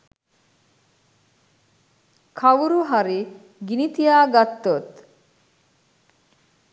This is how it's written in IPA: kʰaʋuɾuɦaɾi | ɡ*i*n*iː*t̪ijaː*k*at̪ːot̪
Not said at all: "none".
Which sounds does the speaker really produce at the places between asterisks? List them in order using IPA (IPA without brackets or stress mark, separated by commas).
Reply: i, i, ɡ